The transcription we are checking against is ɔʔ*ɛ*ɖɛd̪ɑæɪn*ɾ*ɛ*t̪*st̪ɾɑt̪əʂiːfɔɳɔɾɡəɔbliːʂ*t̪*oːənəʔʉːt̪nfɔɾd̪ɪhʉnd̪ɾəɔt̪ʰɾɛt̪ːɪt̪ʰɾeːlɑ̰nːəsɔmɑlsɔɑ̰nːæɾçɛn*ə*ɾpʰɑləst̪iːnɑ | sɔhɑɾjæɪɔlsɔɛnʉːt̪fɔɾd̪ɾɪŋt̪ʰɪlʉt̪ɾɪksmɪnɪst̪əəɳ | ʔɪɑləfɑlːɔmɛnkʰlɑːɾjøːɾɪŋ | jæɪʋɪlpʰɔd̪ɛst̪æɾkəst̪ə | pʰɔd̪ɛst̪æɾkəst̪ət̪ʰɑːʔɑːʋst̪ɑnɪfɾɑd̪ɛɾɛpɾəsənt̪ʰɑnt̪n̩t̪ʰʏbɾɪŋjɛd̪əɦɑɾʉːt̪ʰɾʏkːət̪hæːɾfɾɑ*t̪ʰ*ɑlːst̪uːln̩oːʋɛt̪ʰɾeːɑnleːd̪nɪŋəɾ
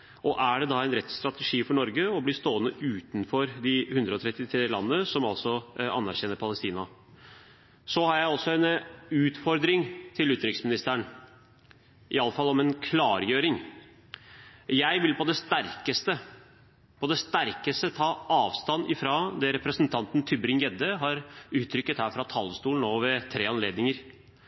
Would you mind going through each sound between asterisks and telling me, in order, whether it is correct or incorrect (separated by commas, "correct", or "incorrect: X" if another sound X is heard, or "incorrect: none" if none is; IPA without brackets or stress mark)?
incorrect: æ, correct, correct, correct, correct, correct